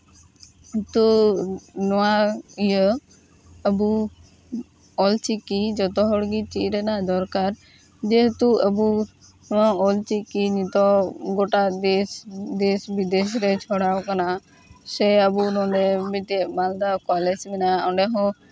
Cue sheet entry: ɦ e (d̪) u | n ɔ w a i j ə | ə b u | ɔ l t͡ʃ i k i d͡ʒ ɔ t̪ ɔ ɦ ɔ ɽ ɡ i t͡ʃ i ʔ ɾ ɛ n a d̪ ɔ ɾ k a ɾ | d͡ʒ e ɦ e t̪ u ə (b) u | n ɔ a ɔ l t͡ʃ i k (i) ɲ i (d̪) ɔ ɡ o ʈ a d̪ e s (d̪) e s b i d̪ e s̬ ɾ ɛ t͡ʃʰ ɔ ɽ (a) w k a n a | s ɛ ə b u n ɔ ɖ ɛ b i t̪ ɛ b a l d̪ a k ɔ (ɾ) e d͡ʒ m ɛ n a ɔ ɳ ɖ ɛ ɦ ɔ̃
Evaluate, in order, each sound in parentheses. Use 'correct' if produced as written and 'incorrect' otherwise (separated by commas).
incorrect, correct, correct, incorrect, correct, correct, incorrect